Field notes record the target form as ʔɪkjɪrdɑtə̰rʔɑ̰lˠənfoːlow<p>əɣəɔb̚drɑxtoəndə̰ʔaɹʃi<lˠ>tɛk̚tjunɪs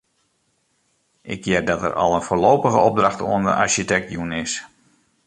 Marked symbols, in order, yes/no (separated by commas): yes, no